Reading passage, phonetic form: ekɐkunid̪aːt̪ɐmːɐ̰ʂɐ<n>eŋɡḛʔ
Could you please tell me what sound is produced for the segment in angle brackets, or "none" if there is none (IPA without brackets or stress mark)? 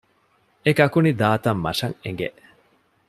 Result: ŋ